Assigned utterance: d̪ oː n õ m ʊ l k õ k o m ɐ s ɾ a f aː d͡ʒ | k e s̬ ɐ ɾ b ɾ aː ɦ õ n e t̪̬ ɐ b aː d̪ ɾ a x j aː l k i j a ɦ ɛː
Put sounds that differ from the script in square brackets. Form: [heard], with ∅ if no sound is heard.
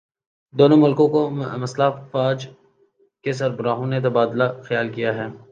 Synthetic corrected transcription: d̪ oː n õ m ʊ l k õ k o m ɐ s [l] a f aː d͡ʒ | k e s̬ ɐ ɾ b ɾ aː ɦ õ n e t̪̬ ɐ b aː d̪ [l] a x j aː l k i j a ɦ ɛː